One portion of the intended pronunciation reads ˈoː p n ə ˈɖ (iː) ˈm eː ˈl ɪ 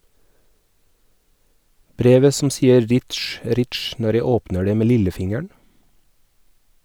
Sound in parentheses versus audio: incorrect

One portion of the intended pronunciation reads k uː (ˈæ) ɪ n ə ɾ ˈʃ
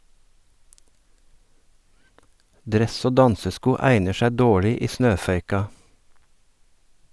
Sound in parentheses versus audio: correct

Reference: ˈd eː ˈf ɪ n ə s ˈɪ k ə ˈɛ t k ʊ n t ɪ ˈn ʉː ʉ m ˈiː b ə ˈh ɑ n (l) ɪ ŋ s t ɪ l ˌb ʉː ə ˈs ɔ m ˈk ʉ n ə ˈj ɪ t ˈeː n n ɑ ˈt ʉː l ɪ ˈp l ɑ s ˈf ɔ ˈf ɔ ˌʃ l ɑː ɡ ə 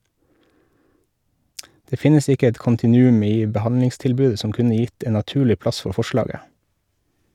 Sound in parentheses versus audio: correct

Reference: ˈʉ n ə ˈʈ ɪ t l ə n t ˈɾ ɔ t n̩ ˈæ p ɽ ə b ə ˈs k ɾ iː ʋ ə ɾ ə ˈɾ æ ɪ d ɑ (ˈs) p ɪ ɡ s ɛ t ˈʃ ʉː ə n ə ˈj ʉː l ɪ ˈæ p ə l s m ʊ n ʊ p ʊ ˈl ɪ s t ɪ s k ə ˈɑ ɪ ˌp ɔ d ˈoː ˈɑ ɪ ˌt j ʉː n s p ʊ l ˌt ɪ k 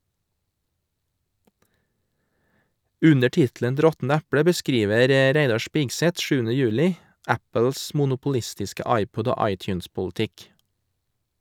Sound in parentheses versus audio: incorrect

